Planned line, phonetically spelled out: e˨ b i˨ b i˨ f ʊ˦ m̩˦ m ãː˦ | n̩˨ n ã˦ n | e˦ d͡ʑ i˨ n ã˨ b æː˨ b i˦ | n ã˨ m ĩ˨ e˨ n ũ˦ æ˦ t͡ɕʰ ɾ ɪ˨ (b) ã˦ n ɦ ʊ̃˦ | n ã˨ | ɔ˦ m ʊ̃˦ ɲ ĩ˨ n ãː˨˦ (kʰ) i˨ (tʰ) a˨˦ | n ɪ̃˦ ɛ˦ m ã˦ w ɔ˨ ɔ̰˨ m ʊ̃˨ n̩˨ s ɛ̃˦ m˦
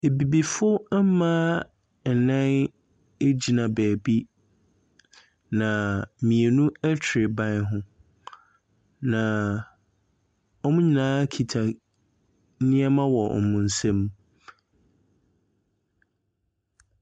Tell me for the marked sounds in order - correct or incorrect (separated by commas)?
correct, correct, correct